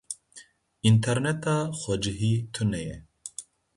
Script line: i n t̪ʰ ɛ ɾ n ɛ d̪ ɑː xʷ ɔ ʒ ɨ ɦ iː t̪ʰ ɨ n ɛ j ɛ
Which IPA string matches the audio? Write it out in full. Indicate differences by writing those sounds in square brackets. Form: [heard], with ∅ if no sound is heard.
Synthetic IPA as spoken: i n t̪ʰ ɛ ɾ n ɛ [t̪] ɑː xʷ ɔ [d͡ʒ] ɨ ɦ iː t̪ʰ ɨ n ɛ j ɛ

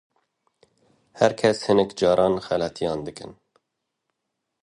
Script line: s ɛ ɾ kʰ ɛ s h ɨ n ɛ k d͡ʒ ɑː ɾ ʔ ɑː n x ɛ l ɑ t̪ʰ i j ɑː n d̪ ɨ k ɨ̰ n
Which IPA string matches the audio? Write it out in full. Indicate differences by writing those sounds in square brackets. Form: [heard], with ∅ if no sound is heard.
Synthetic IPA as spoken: [h] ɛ ɾ kʰ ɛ s h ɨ n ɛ k d͡ʒ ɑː ɾ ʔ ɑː n x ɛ l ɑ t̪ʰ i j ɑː n d̪ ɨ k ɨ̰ n

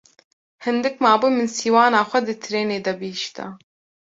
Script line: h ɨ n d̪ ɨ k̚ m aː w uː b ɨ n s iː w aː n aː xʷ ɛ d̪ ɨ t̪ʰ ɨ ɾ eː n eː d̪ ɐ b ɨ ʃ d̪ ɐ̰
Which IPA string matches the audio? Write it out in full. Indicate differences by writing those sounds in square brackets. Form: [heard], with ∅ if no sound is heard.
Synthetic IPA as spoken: h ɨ n d̪ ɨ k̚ m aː [b] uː [m] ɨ n s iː w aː n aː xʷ ɛ d̪ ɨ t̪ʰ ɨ ɾ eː n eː d̪ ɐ b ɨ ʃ [t̪] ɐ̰

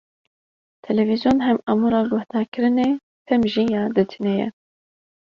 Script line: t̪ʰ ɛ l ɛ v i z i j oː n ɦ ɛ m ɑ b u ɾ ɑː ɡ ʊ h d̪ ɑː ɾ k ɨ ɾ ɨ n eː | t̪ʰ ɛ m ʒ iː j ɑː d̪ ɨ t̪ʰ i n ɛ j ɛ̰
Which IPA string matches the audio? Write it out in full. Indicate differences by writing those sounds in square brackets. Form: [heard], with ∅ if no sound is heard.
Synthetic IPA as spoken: t̪ʰ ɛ l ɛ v i z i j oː n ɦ ɛ m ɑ [m] u ɾ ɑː ɡ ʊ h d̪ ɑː ɾ k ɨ ɾ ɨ n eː | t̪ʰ ɛ m ʒ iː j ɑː d̪ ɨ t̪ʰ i n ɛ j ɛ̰

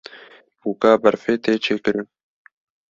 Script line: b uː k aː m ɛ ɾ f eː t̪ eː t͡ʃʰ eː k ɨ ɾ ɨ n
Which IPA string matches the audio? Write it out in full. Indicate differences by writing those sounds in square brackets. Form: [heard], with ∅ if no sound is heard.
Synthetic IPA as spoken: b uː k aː [b] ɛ ɾ f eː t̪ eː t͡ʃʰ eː k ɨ ɾ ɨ n

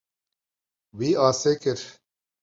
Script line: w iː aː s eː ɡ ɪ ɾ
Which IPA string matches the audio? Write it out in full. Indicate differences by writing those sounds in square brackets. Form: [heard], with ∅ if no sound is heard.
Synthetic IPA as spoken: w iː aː s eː [k] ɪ ɾ

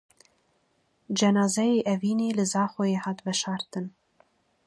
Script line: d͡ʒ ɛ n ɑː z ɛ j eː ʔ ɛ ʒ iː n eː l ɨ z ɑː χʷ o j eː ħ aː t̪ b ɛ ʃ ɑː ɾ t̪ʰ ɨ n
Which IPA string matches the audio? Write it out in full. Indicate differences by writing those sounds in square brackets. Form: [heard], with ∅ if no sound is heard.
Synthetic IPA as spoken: d͡ʒ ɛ n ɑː z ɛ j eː ʔ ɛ [v] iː n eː l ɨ z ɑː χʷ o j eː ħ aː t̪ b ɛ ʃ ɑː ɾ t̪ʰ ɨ n

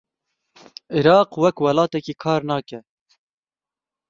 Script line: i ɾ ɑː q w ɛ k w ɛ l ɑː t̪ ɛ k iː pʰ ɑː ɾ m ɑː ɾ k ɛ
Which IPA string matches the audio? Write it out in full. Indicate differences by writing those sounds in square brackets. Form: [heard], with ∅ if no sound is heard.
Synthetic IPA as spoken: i ɾ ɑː q w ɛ k w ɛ l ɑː t̪ ɛ k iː [kʰ] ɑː ɾ [n] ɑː [∅] k ɛ

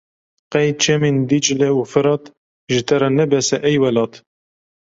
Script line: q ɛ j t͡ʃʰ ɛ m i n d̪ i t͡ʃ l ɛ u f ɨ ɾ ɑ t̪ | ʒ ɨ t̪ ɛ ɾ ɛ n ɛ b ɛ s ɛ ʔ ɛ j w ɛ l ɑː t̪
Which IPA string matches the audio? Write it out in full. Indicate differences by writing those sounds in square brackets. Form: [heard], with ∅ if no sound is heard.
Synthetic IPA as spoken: q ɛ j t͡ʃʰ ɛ m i n d̪ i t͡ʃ l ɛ u f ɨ ɾ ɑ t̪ | ʒ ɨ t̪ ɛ ɾ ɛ n ɛ b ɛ s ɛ ʔ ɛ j w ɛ l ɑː t̪

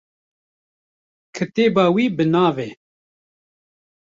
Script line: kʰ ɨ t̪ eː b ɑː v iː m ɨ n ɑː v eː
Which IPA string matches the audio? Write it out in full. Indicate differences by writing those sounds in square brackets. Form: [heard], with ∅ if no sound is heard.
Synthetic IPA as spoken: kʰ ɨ t̪ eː b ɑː [w] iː [b] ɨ n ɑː v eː

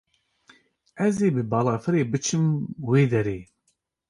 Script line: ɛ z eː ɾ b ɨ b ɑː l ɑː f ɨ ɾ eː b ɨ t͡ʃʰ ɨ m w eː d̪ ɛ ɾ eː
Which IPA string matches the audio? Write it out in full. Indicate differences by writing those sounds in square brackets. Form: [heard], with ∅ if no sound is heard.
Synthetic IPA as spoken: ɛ z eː [∅] b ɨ b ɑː l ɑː f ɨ ɾ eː b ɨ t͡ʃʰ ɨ m w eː d̪ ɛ ɾ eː

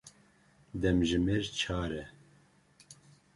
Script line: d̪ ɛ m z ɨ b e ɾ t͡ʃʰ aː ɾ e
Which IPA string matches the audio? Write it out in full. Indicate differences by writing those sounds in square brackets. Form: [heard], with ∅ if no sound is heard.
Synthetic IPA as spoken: d̪ ɛ m [ʒ] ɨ [m] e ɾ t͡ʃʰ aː ɾ [ɛ]

